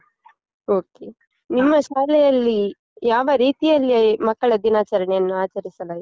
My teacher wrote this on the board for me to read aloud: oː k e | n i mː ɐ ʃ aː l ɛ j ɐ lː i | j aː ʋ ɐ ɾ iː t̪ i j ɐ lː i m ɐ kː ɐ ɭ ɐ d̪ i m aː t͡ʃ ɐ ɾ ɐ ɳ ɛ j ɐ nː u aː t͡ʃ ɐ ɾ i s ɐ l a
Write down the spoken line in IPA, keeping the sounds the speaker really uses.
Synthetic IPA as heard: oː k e | n i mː ɐ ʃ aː l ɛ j ɐ lː i | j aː ʋ ɐ ɾ iː t̪ i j ɐ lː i m ɐ kː ɐ ɭ ɐ d̪ i n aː t͡ʃ ɐ ɾ ɐ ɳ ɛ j ɐ nː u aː t͡ʃ ɐ ɾ i s ɐ l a